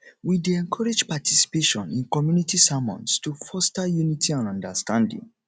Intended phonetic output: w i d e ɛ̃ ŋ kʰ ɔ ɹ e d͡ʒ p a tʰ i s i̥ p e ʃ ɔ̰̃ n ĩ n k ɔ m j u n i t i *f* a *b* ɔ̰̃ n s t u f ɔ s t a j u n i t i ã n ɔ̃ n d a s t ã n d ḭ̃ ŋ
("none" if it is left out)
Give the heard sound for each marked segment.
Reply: s, m

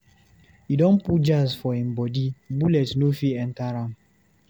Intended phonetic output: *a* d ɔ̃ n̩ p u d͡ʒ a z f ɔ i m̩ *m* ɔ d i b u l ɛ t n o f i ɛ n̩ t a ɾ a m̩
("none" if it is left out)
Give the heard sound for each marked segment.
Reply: i, b

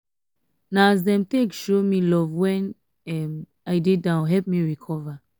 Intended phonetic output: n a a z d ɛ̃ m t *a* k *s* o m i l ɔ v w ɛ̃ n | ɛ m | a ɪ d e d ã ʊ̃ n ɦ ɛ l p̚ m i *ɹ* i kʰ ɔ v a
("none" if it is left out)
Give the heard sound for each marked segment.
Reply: e, ʃ, ɹ

